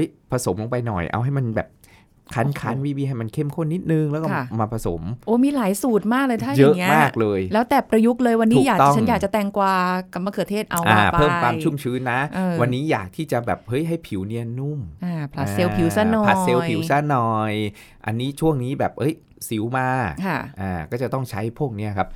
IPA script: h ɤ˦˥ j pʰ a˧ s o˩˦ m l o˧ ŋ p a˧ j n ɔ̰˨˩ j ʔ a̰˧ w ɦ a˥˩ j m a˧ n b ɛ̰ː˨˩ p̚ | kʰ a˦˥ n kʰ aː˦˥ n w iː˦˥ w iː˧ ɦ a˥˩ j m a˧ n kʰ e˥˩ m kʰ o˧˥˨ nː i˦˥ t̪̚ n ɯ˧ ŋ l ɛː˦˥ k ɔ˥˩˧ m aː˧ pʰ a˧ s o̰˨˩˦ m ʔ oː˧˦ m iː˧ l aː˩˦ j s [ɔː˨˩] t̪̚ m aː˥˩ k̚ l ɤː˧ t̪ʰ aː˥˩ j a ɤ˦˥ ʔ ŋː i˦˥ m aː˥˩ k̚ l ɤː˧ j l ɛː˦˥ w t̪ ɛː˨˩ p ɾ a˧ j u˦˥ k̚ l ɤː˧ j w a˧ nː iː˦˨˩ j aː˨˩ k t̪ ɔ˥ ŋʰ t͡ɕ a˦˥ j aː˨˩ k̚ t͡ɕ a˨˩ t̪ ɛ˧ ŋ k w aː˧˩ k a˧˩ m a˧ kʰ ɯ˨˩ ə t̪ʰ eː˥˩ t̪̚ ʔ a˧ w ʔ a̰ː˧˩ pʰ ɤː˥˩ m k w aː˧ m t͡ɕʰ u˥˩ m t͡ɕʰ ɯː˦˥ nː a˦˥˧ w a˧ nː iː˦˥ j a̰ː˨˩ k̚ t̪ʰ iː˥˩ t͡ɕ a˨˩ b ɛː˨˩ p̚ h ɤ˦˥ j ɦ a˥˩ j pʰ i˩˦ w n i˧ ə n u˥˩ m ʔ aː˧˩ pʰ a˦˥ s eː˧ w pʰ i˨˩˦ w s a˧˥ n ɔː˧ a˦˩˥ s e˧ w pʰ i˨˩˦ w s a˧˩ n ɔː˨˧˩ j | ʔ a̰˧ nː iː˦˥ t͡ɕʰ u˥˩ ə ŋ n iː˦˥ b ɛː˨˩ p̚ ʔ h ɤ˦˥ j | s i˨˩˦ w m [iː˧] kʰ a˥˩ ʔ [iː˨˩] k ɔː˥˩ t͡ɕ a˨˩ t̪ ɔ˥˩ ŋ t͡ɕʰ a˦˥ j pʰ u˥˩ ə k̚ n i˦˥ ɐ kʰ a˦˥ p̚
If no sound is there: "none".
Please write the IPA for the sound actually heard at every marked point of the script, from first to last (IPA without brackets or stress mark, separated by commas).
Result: uː˨˩, aː˧, aː˨˩